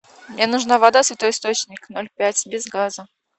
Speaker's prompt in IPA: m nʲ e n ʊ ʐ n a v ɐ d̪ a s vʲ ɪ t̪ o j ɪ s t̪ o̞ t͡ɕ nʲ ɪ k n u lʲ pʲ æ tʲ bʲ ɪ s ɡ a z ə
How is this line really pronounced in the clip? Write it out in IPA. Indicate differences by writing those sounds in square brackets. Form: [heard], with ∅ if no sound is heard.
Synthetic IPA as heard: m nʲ e n ʊ ʐ n a v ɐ d̪ a s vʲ ɪ t̪ o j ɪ s t̪ o̞ t͡ɕ nʲ ɪ k n [o] lʲ pʲ æ tʲ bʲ ɪ [z] ɡ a z ə